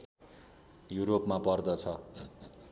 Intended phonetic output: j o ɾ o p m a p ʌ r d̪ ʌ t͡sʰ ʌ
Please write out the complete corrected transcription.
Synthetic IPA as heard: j u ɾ o p m a p ʌ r d̪ ʌ t͡sʰ ʌ